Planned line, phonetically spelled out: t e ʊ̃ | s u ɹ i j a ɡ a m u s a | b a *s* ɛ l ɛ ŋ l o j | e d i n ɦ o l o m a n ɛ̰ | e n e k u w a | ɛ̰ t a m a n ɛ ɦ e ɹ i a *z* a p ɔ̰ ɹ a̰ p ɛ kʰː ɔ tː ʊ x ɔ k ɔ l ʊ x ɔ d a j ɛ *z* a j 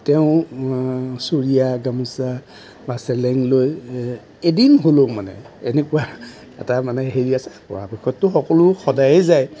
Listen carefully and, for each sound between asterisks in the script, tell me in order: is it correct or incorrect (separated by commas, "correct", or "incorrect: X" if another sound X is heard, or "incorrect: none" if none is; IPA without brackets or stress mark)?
correct, incorrect: s, correct